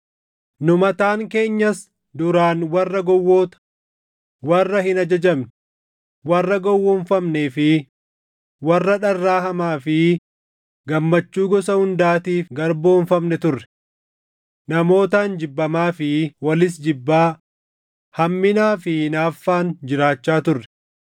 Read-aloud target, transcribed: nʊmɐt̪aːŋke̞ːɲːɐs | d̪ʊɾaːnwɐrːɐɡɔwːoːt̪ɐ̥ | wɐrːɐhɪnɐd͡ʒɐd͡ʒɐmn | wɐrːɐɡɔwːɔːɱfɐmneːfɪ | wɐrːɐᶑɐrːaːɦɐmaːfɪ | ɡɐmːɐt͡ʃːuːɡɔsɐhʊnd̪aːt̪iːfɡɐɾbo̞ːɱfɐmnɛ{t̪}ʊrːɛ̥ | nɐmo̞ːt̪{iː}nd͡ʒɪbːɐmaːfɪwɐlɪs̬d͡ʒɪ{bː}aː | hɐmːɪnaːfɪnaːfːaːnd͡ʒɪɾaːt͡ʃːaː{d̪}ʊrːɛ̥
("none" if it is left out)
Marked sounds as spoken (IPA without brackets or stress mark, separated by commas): t̪, aː, bː, t̪